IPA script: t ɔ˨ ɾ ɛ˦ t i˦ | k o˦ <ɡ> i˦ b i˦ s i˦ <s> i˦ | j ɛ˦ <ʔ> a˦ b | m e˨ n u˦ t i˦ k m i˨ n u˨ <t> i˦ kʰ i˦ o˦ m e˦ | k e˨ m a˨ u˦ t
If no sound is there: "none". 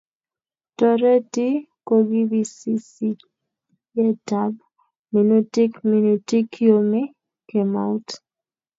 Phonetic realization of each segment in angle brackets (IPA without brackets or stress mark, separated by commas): ɡ, s, t, t